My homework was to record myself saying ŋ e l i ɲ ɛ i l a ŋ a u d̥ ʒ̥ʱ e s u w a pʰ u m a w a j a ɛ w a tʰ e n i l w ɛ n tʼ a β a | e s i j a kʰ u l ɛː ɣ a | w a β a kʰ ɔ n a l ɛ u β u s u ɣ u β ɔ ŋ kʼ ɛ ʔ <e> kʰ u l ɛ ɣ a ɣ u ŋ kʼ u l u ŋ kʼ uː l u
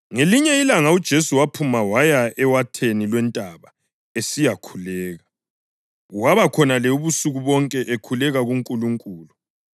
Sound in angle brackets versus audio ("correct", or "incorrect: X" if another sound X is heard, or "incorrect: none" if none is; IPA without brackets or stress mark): correct